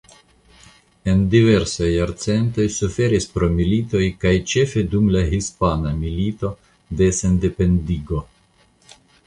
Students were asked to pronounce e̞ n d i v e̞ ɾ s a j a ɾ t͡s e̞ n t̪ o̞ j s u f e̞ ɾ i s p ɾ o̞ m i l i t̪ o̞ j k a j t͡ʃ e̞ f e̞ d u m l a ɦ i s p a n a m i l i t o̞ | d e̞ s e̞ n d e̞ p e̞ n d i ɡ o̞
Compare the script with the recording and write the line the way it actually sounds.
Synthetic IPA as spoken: e̞ n d i v e̞ ɾ s a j a ɾ t͡s e̞ n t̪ o̞ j s u f e̞ ɾ i s p ɾ o̞ m i l i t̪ o̞ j k a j t͡ʃ e̞ f e̞ d u m l a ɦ i s p a n a m i l i t o̞ | d e̞ s e̞ n d e̞ p e̞ n d i ɡ o̞